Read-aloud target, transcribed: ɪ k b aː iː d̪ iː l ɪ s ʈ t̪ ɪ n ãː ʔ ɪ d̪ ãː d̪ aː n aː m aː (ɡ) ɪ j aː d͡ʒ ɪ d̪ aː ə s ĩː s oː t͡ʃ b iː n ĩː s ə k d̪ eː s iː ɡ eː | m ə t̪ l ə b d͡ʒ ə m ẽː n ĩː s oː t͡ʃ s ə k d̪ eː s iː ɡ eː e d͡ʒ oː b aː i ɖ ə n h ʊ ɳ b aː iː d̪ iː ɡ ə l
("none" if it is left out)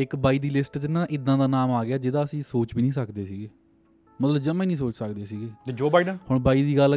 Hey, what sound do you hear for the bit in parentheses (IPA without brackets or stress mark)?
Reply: ɡ